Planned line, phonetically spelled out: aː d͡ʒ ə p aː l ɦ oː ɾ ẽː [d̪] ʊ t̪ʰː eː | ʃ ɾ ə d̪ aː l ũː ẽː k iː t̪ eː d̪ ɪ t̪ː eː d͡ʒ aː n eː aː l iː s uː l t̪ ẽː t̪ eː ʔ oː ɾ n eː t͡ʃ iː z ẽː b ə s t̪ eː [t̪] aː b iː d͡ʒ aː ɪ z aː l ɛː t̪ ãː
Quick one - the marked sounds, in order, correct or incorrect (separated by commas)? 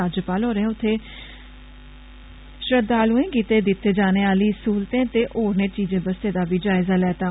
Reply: incorrect, incorrect